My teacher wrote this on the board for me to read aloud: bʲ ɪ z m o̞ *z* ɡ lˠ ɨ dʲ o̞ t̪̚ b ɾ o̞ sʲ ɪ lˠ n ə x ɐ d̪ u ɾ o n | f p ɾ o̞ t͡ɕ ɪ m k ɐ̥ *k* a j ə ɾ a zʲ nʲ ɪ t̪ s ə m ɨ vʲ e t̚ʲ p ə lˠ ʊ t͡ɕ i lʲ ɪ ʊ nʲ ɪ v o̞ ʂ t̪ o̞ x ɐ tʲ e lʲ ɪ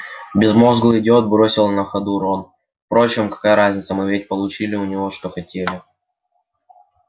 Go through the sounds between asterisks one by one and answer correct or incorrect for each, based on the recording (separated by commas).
correct, correct